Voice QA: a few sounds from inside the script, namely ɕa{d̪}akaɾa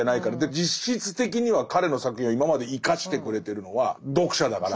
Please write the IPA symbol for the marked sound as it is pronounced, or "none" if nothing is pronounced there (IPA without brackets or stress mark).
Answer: d̪